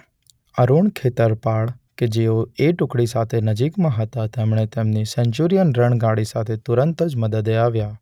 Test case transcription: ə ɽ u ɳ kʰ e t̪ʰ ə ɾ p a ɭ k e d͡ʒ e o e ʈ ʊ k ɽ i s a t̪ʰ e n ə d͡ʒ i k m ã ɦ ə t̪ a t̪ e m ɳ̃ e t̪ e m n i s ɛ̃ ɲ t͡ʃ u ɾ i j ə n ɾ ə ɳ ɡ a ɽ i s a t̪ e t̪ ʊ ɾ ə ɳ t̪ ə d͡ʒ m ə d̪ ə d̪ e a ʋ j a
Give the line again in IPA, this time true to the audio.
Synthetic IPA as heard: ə ɾ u ɳ kʰ e t̪ ə ɾ p a ɭ k e d͡ʒ e o e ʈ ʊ k ɽ i s a t̪ʰ e n ə d͡ʒ i k m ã ɦ ə t̪ a t̪ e m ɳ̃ e t̪ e m n i s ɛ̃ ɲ t͡ʃ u ɾ i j ə n ɾ ə ɳ ɡ a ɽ i s a t̪ʰ e t̪ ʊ ɾ ə n t̪ ə d͡ʒ m ə d̪ ə d̪ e a ʋ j a